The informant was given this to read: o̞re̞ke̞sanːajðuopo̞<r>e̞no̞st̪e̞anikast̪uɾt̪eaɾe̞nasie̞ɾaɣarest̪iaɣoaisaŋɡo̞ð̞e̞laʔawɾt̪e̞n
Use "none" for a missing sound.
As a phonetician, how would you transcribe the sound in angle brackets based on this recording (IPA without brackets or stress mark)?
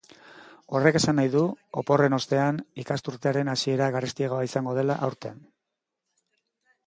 r